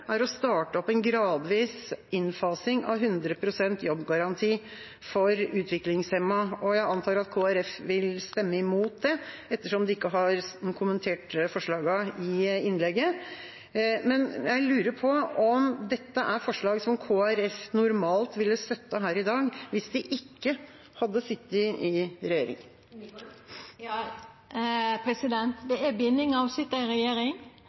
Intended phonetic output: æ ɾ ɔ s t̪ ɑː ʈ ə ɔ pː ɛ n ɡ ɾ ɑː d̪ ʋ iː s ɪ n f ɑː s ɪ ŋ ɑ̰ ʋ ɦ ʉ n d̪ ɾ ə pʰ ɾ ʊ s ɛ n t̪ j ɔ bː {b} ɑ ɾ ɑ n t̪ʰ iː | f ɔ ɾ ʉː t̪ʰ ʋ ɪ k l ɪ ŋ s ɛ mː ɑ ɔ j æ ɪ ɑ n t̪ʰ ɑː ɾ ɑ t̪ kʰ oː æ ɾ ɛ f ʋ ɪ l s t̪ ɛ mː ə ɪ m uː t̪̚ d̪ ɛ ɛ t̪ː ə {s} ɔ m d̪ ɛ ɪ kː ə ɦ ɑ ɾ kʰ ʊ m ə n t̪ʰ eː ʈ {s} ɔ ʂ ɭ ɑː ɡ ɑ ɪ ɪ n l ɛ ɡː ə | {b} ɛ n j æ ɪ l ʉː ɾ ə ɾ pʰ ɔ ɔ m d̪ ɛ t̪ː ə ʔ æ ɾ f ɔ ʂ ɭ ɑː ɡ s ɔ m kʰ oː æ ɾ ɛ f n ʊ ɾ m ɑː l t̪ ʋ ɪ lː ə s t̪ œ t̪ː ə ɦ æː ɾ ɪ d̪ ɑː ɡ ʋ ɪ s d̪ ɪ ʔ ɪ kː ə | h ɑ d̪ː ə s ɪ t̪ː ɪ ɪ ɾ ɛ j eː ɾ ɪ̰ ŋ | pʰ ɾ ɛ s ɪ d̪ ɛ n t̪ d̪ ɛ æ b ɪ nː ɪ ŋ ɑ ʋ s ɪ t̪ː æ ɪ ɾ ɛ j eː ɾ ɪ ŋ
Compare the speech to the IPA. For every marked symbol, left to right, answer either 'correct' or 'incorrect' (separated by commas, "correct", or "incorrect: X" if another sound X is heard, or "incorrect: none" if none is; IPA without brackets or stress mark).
incorrect: ɡ, incorrect: ʂ, incorrect: f, incorrect: m